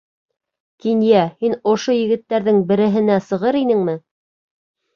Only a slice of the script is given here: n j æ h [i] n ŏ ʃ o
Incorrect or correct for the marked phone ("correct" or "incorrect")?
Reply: correct